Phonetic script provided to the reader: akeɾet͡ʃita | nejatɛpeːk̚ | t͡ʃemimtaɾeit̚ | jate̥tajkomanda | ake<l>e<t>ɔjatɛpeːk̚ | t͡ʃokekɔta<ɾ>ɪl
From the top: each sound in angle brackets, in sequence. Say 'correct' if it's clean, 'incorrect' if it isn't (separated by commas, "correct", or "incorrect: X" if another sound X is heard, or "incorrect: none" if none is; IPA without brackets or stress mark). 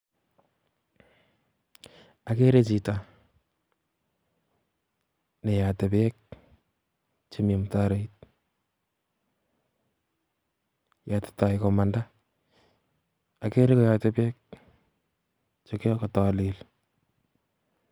incorrect: ɾ, incorrect: k, incorrect: l